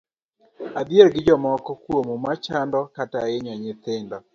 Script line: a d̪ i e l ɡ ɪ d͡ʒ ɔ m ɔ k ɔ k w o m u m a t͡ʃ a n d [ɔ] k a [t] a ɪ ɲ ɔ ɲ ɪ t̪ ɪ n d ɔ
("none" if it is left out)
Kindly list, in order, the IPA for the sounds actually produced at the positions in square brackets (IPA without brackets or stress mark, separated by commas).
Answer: ɔ, t